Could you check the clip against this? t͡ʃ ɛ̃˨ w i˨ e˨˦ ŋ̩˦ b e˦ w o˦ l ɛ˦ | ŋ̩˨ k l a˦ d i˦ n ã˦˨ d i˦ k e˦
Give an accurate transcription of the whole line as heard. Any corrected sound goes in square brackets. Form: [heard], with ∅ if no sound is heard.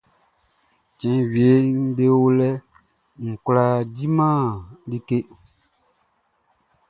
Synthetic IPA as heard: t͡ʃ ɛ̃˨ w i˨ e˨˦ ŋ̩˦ b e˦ w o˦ l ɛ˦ | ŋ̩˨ k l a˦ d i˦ [m] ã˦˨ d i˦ k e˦